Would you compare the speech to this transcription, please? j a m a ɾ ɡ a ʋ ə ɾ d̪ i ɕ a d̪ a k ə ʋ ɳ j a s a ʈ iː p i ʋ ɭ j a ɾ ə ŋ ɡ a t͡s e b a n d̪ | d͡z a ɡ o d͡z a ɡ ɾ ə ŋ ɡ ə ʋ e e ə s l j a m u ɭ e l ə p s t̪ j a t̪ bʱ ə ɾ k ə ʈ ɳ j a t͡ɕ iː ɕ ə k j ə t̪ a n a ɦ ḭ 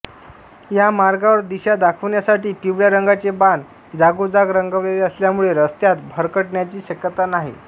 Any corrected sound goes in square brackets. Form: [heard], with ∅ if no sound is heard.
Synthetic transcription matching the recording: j a m a ɾ ɡ a ʋ ə ɾ d̪ i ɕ a d̪ a [kʰ] ə ʋ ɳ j a s a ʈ iː p i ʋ ɭ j a ɾ ə ŋ ɡ a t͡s e b a n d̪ | d͡z a ɡ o d͡z a ɡ ɾ ə ŋ ɡ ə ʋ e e ə s l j a m u ɭ e [ɾ] ə [∅] s t̪ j a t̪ bʱ ə ɾ k ə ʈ ɳ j a t͡ɕ iː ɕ ə k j ə t̪ a n a ɦ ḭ